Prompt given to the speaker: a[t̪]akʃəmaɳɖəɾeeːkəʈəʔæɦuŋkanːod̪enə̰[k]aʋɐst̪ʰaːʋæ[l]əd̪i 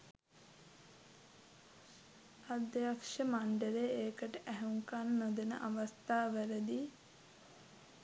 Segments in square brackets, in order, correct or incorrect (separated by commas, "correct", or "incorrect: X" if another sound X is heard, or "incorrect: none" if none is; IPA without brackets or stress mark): incorrect: d̪, incorrect: ʔ, incorrect: ɾ